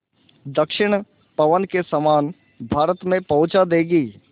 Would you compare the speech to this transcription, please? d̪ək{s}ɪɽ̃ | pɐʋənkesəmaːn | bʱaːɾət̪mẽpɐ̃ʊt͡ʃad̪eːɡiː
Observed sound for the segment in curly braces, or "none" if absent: ʃ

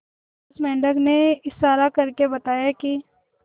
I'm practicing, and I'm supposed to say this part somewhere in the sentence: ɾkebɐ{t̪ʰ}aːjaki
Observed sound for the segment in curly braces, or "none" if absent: t̪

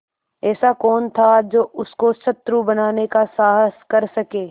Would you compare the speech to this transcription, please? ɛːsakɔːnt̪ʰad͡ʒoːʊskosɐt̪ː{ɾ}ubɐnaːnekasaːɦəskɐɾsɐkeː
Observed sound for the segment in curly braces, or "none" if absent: ɾ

